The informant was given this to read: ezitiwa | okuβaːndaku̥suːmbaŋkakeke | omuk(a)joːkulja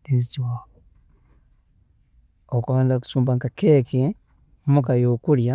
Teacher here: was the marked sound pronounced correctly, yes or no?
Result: yes